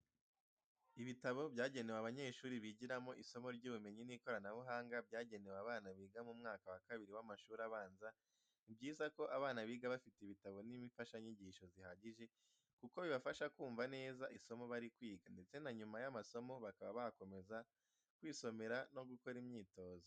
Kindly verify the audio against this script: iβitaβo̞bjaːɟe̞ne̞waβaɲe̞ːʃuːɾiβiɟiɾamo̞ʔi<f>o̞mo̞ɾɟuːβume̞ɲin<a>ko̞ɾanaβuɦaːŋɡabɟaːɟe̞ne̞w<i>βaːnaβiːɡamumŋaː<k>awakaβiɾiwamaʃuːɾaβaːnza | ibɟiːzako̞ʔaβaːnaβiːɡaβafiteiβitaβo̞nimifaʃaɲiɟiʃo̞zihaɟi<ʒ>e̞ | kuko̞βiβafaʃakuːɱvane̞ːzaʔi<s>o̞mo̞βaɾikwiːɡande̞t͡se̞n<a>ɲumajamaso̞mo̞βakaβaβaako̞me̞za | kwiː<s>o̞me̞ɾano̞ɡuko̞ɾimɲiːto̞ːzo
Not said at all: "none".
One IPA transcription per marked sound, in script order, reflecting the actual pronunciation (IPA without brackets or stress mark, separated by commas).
s, i, a, k, ʒ, s, a, s